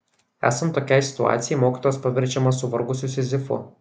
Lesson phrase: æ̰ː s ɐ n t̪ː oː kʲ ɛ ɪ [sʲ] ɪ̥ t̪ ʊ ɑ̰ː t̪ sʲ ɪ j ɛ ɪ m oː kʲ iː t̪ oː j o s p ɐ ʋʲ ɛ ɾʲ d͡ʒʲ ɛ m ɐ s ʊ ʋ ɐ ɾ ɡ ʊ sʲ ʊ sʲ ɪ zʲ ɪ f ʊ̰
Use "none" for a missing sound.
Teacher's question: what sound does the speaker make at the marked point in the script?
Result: sʲ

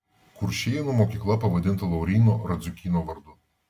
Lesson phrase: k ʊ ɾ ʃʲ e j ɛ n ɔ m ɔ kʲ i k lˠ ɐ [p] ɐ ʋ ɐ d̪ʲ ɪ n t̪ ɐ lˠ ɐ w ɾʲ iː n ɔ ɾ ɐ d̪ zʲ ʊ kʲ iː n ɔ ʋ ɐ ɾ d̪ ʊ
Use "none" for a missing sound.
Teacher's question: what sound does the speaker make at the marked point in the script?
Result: p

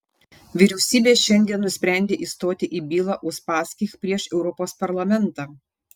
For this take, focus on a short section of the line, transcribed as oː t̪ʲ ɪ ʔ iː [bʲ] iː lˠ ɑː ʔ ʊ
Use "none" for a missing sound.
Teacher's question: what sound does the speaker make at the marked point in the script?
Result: bʲ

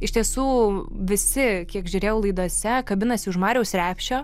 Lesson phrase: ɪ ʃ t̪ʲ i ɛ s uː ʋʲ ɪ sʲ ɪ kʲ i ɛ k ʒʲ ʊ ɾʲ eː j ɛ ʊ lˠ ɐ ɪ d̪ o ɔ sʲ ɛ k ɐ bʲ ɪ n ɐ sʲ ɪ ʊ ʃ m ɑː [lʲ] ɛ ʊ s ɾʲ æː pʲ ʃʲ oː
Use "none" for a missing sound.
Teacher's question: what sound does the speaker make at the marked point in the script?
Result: ɾʲ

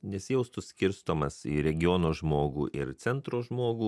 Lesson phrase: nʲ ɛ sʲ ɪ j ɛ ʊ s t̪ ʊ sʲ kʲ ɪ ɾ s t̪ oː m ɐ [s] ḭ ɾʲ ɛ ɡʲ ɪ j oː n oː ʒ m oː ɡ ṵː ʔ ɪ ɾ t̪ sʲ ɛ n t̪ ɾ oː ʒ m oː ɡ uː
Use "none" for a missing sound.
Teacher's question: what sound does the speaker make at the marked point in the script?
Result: s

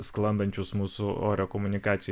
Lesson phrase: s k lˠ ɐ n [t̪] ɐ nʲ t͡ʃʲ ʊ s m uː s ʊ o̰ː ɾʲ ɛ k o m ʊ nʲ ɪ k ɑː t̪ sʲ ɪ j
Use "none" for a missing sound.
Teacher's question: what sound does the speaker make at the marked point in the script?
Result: d̪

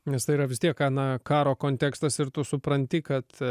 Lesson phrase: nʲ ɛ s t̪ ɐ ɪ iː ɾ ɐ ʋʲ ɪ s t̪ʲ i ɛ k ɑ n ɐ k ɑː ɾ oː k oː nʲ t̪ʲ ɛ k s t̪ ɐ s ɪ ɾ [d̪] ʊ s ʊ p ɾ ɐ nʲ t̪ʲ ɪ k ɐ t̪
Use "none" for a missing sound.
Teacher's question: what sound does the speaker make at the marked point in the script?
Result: t̪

